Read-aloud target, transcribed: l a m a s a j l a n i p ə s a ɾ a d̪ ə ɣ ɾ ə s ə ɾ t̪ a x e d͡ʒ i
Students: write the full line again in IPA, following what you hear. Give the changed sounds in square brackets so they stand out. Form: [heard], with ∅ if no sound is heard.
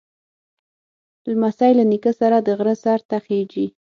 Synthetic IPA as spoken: l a m a s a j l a n i [k] ə s a ɾ a d̪ ə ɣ ɾ ə s [a] ɾ t̪ a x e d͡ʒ i